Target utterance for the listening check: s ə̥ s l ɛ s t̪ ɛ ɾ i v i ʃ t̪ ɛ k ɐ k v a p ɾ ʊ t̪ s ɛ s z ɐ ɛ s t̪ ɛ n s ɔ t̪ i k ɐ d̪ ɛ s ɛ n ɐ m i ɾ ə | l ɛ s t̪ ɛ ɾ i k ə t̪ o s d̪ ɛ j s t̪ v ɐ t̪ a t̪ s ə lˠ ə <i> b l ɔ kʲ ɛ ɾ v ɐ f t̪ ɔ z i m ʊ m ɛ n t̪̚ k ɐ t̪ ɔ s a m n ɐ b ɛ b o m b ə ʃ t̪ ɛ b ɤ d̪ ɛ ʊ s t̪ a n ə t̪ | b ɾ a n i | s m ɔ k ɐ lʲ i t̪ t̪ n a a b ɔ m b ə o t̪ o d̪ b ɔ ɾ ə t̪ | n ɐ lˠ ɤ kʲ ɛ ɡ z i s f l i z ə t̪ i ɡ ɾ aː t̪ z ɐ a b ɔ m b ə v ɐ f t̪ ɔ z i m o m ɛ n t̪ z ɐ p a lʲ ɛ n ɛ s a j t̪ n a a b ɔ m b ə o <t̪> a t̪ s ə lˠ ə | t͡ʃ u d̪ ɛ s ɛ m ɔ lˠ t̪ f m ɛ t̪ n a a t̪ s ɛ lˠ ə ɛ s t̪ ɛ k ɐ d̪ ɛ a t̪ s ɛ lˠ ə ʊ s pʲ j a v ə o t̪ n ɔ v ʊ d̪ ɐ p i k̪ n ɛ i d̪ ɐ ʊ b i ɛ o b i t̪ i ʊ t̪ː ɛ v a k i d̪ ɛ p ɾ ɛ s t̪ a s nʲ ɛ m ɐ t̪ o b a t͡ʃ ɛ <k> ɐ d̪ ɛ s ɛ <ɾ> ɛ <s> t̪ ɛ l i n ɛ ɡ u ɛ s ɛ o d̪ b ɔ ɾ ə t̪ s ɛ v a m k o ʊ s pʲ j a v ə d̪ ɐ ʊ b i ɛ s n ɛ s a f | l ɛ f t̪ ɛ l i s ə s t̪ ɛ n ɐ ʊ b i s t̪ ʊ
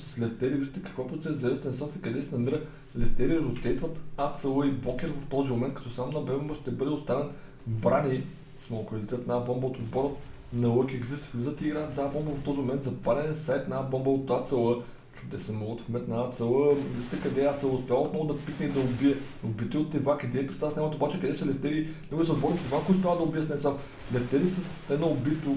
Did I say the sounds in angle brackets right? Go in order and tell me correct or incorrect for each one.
correct, correct, correct, incorrect, incorrect

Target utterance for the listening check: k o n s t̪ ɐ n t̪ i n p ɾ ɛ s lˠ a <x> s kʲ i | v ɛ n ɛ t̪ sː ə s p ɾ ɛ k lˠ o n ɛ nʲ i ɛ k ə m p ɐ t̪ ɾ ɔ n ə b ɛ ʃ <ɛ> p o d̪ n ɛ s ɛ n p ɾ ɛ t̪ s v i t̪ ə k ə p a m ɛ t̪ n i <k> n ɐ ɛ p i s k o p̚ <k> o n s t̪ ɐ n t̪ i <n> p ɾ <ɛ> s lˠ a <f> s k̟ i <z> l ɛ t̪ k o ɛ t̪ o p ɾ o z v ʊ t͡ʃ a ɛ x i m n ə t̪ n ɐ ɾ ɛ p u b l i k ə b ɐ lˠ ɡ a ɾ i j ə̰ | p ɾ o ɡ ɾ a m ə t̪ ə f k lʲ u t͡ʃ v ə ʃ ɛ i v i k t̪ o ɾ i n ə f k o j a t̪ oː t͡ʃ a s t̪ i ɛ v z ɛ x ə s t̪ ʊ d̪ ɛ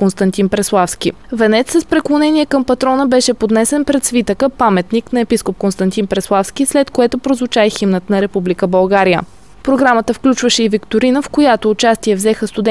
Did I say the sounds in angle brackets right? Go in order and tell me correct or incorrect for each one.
incorrect, correct, correct, correct, correct, correct, correct, incorrect

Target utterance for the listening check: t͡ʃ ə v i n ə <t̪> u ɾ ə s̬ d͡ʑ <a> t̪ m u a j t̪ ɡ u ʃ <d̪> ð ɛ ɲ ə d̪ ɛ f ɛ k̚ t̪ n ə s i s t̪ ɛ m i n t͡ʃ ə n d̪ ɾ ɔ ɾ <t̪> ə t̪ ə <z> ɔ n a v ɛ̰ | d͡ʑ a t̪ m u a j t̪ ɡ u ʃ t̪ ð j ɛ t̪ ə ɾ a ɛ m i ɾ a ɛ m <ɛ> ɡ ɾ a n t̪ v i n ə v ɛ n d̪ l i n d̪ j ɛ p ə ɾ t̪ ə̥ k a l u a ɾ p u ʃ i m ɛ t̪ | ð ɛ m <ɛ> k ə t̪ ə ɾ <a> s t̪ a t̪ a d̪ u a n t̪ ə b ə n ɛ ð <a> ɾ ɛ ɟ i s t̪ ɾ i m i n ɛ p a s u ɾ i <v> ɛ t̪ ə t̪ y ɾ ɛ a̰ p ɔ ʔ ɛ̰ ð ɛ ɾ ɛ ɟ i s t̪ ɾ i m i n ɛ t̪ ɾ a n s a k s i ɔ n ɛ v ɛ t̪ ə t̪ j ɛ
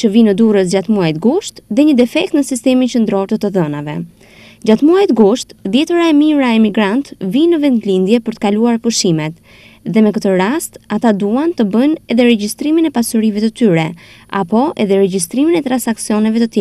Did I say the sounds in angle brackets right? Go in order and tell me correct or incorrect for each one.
incorrect, correct, incorrect, correct, incorrect, incorrect, correct, correct, incorrect, correct

